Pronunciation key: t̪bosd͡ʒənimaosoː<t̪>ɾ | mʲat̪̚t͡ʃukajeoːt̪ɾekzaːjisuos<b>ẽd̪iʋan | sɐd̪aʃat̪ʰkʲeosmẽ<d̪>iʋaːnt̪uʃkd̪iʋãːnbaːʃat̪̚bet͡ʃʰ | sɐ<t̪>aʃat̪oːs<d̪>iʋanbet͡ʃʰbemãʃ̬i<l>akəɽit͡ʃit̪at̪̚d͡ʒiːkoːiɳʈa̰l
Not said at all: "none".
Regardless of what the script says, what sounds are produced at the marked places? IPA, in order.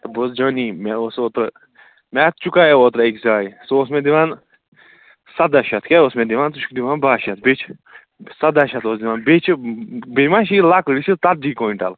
t̪, m, d̪, d̪, d̪, l

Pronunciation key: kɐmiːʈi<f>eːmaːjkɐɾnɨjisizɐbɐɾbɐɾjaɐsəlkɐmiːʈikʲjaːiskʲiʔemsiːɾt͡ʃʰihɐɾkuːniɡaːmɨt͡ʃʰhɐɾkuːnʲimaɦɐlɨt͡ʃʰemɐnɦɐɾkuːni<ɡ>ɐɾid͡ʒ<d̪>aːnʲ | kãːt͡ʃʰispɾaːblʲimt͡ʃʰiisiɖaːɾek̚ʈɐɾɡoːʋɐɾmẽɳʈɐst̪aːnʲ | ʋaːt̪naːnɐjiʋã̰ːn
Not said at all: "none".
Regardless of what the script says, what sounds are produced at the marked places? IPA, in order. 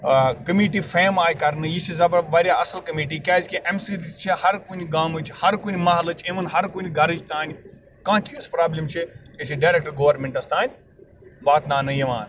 f, ɡ, t̪

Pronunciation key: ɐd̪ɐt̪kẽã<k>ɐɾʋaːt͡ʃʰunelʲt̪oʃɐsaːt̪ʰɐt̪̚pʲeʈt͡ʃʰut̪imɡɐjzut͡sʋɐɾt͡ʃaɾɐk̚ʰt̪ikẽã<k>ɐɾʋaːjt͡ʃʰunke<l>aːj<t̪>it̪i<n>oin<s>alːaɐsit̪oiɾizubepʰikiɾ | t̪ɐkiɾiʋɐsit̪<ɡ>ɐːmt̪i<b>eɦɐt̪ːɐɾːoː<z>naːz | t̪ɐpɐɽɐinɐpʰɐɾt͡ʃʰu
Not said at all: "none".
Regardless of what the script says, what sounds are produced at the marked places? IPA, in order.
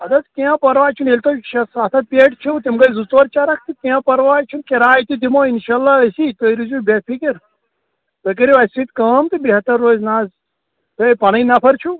p, p, ɾ, t̪, m, ʃ, k, b, z

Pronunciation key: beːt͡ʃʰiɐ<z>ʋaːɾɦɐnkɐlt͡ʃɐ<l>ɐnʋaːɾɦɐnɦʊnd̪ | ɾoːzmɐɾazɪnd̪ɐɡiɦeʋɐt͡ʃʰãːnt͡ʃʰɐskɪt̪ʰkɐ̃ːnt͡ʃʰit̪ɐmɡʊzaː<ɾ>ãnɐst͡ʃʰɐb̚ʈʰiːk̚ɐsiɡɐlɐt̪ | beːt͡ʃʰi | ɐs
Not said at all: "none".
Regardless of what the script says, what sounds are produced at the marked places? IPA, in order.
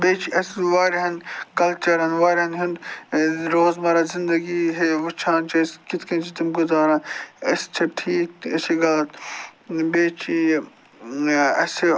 s, ɾ, ɾ

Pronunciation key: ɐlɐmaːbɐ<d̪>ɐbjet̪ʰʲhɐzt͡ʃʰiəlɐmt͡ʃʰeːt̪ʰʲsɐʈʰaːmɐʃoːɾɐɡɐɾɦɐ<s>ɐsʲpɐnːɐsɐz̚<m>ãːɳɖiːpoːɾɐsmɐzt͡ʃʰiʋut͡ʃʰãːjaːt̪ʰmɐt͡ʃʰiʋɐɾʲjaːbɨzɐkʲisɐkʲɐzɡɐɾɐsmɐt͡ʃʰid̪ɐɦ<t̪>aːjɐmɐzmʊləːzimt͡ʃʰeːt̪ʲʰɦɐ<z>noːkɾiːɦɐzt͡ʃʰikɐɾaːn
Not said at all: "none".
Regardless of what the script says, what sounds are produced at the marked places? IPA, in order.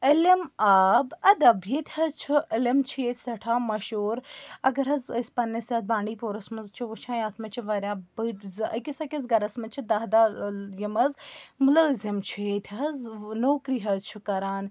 d̪, z, b, d̪, z

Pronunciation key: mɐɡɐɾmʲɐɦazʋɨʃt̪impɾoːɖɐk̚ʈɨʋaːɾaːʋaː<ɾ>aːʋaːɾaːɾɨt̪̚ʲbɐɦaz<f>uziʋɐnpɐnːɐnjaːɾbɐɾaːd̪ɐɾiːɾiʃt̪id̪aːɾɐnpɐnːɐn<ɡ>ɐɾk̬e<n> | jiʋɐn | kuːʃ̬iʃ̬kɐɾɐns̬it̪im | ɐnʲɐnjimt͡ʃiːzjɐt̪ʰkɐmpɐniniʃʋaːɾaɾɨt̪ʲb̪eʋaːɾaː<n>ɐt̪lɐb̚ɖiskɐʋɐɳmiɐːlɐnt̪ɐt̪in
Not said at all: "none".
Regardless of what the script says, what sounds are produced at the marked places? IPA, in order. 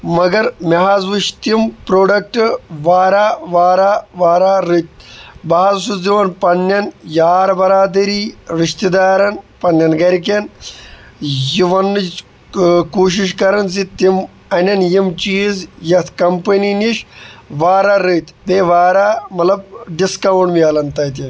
ɾ, s, ɡ, n, m

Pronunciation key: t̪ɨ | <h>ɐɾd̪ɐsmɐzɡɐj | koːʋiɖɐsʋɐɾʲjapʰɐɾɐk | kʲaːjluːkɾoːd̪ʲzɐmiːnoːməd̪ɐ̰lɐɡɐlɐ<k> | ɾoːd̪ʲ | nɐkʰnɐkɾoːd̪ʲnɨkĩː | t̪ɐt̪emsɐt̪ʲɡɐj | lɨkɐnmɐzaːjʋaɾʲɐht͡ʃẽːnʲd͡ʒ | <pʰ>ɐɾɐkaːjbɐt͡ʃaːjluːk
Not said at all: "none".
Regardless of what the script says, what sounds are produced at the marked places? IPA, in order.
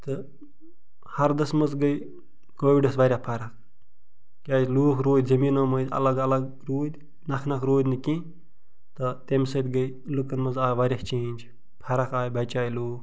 h, ɡ, pʰ

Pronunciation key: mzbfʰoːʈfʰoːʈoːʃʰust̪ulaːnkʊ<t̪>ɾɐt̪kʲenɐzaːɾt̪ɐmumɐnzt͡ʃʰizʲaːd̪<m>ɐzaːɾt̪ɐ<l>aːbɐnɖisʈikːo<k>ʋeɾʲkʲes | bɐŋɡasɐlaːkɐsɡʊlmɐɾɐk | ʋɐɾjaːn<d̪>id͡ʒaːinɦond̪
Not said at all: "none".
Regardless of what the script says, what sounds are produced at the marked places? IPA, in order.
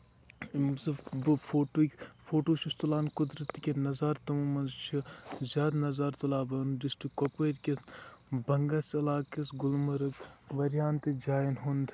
d̪, n, l, p, t̪

